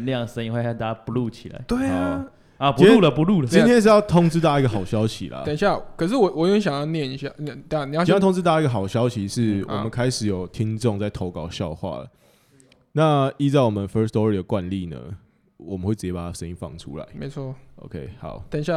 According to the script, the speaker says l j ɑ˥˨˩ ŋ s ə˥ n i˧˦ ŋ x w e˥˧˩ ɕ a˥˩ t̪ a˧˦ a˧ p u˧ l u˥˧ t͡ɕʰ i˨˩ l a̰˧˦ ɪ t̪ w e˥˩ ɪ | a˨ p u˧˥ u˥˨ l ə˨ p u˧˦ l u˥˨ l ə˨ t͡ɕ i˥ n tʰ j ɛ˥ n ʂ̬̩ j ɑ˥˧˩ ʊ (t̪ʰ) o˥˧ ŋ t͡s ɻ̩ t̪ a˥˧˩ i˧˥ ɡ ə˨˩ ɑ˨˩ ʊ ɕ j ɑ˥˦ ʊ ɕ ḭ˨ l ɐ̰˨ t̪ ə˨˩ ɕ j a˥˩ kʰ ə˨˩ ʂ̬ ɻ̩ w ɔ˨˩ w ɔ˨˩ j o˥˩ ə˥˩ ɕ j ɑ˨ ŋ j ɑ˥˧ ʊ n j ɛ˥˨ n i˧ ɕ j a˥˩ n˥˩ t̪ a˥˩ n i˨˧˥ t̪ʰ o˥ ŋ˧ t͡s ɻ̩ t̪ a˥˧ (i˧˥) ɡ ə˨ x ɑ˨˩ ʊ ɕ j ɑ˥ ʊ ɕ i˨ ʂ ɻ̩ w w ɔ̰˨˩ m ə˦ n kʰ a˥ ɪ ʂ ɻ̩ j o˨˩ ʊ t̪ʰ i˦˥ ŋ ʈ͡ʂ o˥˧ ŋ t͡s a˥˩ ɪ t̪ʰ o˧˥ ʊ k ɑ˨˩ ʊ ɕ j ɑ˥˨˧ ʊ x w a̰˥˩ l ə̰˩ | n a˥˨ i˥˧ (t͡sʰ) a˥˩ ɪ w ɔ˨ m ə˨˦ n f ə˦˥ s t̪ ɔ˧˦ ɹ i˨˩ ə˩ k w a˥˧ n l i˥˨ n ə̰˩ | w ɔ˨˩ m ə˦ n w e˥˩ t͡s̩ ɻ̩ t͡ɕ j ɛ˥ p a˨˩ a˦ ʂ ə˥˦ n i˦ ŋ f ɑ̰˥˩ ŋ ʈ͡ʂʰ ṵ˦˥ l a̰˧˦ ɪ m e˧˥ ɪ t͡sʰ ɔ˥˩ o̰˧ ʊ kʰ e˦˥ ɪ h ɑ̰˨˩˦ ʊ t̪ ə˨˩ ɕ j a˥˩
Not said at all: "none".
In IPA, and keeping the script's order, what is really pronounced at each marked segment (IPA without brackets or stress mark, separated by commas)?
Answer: t̪ʰ, i˥, t͡s